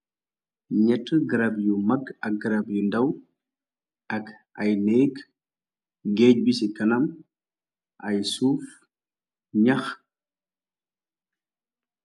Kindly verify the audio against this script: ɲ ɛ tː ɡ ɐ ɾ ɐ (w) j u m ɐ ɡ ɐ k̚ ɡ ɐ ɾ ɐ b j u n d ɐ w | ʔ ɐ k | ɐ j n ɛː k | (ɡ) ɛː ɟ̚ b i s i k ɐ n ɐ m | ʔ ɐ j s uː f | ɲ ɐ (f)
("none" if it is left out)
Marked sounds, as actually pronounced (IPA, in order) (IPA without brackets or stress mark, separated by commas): b, ɡ, x